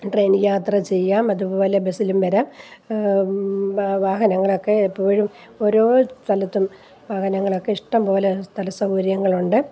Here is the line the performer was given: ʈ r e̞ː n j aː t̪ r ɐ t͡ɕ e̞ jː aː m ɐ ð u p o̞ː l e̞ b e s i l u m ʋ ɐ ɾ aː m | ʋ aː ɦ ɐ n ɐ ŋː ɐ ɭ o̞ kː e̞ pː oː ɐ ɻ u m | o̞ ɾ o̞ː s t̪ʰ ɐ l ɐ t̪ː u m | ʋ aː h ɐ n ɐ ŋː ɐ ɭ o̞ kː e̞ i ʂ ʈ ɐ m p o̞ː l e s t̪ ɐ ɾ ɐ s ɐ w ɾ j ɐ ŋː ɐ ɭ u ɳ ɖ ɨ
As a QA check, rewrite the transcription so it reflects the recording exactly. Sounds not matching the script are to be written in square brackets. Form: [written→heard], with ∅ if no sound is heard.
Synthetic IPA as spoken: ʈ r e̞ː n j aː t̪ r ɐ t͡ɕ e̞ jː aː m ɐ ð u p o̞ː l e̞ b e s i l u m ʋ ɐ ɾ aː m | ʋ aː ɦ ɐ n ɐ ŋː ɐ ɭ o̞ kː e̞ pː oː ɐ ɻ u m | o̞ ɾ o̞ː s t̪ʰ ɐ l ɐ t̪ː u m | ʋ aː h ɐ n ɐ ŋː ɐ ɭ o̞ kː e̞ i ʂ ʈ ɐ m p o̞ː l e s t̪ ɐ [ɾ→l] ɐ s ɐ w ɾ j ɐ ŋː ɐ ɭ u ɳ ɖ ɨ